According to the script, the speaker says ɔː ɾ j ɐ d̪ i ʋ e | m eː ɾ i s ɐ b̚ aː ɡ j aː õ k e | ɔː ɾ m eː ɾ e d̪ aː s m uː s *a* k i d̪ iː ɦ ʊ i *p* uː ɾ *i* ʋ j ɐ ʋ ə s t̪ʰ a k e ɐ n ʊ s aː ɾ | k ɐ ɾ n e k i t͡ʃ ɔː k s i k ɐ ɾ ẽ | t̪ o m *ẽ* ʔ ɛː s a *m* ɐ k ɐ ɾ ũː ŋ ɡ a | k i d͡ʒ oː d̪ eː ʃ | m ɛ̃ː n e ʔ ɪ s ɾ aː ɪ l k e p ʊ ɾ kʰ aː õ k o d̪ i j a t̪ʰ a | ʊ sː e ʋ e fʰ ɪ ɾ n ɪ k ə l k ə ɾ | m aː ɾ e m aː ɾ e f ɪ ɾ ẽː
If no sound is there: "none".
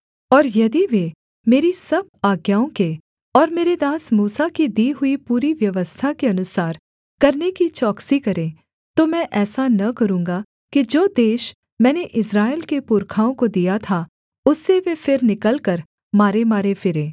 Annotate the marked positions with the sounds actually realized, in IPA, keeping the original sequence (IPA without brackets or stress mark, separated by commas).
a, p, i, ɛ̃, n